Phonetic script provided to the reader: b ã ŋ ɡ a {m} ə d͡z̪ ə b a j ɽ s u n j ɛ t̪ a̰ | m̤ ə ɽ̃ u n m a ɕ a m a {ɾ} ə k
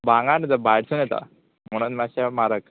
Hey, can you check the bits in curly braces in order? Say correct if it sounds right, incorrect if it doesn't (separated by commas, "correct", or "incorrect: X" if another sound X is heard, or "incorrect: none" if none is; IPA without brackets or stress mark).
incorrect: n, correct